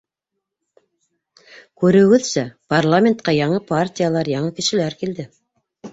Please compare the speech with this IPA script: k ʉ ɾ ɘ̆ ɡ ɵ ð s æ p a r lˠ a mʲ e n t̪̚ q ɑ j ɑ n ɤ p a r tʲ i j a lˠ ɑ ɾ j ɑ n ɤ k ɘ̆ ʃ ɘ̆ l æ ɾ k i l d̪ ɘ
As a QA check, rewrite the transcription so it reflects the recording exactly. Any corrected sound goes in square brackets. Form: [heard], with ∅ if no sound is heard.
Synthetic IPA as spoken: k ʉ ɾ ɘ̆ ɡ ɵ ð s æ p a r lˠ a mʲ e n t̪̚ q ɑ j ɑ [ɴ] ɤ p a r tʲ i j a lˠ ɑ ɾ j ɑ [ɴ] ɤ k ɘ̆ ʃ ɘ̆ l æ ɾ k i l d̪ ɘ